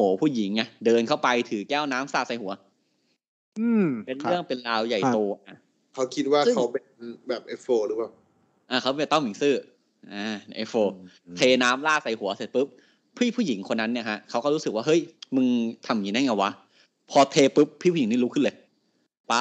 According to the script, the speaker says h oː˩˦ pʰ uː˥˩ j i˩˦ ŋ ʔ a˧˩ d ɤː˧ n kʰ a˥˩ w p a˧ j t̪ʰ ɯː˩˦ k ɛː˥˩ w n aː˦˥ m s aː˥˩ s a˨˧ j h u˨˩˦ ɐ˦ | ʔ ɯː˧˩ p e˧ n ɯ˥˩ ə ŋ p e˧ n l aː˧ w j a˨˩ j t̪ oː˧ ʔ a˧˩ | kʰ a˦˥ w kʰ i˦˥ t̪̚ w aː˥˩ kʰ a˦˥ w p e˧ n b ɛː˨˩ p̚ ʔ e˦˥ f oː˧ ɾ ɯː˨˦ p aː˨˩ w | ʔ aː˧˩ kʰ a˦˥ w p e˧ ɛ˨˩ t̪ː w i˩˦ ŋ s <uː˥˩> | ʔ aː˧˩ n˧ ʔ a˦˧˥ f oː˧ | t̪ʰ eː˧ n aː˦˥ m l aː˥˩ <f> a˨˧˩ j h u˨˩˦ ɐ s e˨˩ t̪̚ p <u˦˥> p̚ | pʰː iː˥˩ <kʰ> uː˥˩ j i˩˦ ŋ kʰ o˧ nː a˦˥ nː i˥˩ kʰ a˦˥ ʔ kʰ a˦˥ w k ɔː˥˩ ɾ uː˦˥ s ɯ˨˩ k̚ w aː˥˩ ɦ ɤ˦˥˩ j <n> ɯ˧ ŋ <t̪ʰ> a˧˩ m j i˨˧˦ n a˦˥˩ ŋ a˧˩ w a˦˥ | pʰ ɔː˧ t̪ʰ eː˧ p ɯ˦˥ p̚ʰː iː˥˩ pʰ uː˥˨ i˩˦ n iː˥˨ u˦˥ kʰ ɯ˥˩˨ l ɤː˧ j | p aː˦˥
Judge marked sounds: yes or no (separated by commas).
no, no, no, no, no, yes